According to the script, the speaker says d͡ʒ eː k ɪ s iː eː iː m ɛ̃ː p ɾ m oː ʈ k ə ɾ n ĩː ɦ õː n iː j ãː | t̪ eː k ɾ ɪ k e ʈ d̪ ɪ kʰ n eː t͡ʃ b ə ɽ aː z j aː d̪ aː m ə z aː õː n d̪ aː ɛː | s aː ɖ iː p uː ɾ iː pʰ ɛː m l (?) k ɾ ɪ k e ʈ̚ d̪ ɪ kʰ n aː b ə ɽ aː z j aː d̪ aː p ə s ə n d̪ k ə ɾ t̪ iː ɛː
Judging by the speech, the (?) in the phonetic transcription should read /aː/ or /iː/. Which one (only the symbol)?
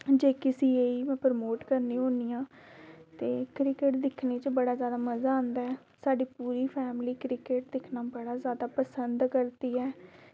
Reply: iː